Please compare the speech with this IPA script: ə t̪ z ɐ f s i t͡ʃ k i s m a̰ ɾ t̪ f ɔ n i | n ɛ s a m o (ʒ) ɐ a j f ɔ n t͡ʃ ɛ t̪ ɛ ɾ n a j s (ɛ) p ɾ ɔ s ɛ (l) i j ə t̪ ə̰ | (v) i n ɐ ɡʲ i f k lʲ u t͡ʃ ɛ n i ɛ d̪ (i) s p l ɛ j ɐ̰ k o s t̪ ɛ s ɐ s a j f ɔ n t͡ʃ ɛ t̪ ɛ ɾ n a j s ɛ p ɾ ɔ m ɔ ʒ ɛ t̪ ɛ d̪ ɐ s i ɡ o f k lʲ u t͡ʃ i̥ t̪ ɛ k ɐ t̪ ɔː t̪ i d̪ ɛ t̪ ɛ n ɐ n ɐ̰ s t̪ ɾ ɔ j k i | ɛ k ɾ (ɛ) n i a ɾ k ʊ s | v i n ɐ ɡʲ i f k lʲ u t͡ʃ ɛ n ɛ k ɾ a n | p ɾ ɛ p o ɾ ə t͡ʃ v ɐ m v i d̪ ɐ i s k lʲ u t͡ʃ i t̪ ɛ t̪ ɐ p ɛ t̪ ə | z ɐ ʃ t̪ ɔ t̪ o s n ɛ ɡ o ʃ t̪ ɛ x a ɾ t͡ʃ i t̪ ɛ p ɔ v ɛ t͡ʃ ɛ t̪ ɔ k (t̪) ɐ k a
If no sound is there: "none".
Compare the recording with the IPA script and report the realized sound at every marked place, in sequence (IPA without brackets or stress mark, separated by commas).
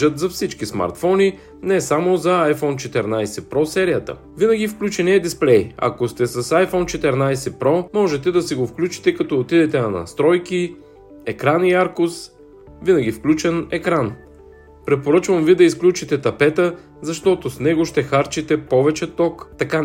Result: z, ɛ, ɾ, v, i, a, t̪